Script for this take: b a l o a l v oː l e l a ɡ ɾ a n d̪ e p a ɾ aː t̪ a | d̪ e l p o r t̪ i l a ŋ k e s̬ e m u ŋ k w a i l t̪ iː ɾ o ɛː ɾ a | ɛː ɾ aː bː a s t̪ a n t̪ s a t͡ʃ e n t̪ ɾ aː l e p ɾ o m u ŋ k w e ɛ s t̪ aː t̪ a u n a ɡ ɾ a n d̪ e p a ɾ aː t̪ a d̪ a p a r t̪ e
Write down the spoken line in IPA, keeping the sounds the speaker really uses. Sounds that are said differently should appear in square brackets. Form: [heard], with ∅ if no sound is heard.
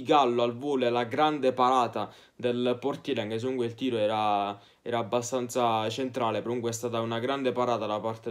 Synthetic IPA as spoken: [ɡ] a [lː] o a l v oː l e l a ɡ ɾ a n d̪ e p a ɾ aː t̪ a | d̪ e l p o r t̪ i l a ŋ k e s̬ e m u ŋ k w [e] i l t̪ iː ɾ o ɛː ɾ a | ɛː ɾ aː bː a s t̪ a n t̪ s a t͡ʃ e n t̪ ɾ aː l e p ɾ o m u ŋ k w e ɛ s t̪ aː t̪ a u n a ɡ ɾ a n d̪ e p a ɾ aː t̪ a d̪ a p a r t̪ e